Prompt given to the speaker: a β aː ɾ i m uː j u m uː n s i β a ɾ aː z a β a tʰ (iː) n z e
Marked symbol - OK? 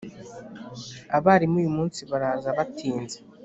yes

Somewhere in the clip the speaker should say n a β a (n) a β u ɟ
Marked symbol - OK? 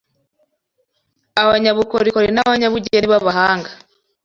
no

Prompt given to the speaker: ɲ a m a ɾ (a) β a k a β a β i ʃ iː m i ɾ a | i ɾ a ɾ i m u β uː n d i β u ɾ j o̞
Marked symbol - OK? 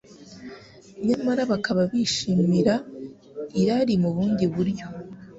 yes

